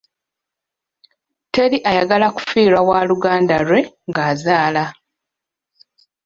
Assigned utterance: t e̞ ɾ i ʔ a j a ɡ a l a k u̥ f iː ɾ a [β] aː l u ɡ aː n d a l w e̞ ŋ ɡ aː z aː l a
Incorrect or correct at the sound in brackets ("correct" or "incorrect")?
incorrect